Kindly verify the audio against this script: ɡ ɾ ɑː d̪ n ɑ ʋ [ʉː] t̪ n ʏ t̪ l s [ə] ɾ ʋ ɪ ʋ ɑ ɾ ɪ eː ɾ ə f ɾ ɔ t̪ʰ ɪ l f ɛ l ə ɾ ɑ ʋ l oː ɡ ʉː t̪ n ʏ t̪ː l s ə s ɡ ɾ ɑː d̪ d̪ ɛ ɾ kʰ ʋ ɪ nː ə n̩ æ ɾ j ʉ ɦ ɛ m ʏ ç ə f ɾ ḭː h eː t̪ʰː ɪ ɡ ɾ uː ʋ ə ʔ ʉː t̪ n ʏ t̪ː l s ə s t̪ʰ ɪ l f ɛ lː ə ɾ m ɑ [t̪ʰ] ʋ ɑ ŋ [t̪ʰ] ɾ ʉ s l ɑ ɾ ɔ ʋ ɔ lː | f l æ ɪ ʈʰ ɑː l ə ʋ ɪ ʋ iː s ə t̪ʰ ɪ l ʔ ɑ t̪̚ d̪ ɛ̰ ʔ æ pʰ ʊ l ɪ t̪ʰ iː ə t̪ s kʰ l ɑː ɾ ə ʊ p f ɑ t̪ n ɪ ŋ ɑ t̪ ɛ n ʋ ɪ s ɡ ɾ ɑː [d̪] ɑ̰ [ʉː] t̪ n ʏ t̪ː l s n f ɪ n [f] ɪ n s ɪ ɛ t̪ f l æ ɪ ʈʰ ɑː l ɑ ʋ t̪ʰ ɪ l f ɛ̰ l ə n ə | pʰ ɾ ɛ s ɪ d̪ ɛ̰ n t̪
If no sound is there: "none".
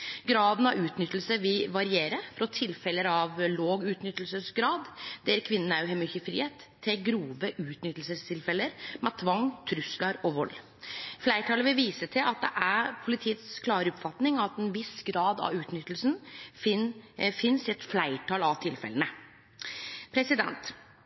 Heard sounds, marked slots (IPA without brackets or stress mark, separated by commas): ʉː, ə, t̪ʰ, t̪ʰ, d̪, ʉː, f